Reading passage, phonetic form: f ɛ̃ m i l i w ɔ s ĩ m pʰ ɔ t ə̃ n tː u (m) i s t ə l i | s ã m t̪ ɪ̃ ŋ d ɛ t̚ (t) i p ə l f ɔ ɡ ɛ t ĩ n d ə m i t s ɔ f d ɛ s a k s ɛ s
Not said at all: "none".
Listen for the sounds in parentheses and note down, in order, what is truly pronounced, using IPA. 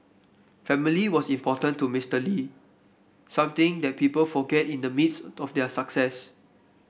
m, p

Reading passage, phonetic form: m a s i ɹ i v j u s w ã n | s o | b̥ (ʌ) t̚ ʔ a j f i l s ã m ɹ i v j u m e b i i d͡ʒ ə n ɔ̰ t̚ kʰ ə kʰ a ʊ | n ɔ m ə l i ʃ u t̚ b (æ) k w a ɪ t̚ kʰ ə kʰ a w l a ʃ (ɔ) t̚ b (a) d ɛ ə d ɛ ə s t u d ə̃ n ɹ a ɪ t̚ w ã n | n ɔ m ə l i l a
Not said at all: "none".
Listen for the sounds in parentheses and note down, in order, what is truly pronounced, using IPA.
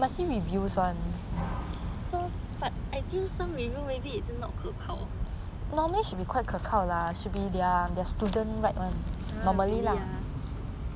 a, i, u, i

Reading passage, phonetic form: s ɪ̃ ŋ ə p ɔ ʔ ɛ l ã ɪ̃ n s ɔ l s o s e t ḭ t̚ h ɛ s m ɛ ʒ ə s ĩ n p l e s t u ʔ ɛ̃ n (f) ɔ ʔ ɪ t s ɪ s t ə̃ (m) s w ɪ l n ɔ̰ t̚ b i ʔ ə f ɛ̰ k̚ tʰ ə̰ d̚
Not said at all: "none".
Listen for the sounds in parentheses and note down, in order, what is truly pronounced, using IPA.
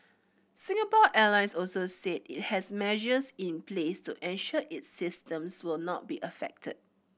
ʃ, m

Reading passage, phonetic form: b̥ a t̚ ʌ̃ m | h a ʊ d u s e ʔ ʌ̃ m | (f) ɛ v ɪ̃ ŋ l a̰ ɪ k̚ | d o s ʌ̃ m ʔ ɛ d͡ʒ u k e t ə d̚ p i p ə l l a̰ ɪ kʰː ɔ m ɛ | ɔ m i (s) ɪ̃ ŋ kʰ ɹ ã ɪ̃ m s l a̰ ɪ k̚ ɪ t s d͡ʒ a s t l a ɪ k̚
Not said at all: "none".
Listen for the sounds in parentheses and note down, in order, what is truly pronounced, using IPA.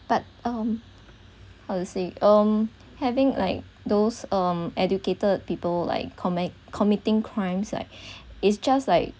h, t

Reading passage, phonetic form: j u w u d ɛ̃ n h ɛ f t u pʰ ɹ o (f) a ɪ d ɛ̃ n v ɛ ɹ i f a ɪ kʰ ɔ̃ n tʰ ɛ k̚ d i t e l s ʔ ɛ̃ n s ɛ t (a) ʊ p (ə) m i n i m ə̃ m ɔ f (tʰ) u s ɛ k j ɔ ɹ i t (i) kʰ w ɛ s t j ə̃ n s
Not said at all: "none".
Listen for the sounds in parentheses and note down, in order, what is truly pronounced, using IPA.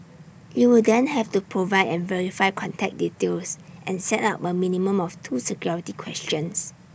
v, a, ə, tʰ, i

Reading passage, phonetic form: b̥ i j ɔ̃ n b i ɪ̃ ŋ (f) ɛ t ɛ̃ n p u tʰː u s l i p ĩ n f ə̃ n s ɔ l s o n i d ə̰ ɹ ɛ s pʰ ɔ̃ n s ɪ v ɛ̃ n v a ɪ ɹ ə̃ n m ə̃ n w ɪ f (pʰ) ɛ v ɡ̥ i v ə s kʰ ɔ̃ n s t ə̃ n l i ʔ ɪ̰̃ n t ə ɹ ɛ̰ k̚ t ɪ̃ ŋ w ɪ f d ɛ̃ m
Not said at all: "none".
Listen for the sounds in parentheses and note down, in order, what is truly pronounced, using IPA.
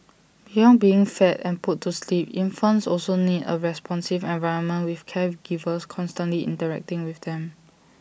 f, kʰ

